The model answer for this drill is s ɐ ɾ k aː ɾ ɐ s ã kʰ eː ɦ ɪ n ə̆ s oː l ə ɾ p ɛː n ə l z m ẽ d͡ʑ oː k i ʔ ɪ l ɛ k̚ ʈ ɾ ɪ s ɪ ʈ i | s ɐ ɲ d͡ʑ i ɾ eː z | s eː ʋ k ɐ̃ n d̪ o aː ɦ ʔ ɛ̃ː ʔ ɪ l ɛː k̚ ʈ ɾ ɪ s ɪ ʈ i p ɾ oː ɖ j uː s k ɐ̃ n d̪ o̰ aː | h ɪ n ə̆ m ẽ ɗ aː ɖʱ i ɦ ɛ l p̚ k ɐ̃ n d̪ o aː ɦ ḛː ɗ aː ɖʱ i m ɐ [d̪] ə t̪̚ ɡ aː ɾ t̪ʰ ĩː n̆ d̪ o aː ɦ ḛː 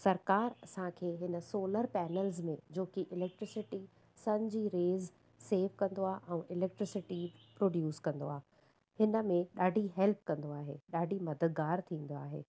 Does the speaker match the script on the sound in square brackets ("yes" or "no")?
yes